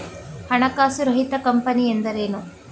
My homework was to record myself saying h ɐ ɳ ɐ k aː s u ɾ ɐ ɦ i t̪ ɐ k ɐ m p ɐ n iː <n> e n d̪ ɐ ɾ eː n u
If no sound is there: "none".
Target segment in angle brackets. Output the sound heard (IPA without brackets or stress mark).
none